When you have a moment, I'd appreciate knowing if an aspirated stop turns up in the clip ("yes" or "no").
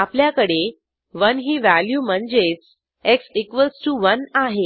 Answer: no